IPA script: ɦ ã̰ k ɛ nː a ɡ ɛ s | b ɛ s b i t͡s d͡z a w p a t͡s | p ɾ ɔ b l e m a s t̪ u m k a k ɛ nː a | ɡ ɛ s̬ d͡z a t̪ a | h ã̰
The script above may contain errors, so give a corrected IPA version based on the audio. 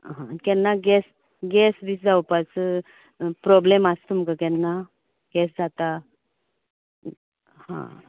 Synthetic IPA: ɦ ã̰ k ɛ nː a ɡ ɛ s | ɡ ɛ s b i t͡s d͡z a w p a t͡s | p ɾ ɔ b l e m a s t̪ u m k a k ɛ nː a | ɡ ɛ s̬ d͡z a t̪ a | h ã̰